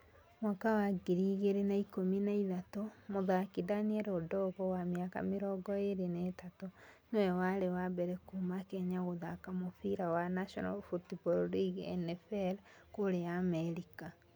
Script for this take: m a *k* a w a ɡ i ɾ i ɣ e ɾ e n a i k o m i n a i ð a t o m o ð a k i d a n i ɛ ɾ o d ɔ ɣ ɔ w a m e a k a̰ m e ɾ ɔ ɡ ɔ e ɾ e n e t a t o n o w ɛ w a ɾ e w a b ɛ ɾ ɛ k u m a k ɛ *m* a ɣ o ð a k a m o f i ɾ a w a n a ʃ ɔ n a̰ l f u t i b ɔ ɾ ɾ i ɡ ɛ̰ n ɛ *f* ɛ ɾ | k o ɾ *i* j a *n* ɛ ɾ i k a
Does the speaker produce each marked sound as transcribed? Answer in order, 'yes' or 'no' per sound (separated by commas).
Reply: yes, no, yes, no, no